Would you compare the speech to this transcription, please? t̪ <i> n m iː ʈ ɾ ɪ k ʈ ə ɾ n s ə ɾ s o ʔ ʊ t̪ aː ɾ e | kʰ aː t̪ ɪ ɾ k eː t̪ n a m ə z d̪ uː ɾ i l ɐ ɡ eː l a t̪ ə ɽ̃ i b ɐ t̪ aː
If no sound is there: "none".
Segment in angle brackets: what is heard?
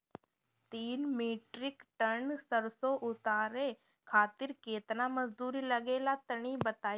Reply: iː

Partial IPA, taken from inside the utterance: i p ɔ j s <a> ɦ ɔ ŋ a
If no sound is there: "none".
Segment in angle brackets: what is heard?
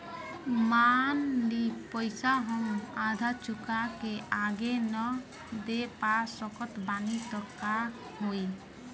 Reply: a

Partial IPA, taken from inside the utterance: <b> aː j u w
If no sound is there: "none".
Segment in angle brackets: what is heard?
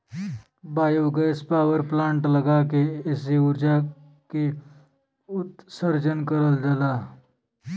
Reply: b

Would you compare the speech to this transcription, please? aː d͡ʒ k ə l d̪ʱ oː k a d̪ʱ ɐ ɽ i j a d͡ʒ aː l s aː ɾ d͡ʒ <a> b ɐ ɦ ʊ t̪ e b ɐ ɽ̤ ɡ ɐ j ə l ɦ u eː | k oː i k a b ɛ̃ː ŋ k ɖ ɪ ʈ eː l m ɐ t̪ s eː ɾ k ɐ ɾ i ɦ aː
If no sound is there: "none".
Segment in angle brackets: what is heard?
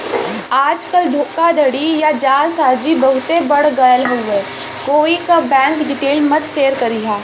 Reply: i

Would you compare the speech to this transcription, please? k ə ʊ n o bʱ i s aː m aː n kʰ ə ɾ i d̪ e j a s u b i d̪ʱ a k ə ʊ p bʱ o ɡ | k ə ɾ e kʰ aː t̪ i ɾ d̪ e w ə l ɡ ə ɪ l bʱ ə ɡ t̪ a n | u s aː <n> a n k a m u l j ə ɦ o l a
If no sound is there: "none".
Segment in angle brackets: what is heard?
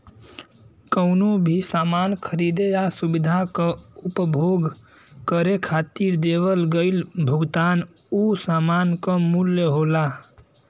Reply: m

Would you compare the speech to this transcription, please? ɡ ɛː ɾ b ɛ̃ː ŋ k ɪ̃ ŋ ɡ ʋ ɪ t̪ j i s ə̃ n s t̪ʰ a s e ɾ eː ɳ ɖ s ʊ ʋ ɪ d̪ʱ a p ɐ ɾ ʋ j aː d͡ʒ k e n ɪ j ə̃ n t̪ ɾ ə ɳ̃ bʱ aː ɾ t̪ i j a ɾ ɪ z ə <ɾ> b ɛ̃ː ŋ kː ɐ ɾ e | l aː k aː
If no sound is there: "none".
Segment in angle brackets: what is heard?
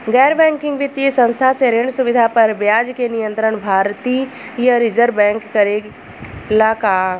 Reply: ɾ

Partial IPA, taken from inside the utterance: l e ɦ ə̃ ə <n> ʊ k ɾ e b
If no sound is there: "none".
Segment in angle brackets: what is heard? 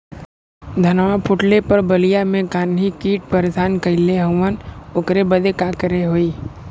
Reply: n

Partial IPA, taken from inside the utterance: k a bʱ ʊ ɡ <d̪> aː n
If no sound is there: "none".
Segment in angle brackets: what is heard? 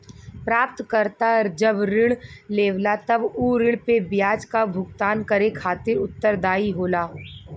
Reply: t̪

